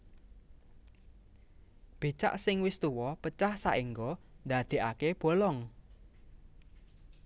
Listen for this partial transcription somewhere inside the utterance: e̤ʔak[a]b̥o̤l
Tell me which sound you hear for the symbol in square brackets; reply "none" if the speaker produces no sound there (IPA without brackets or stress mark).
e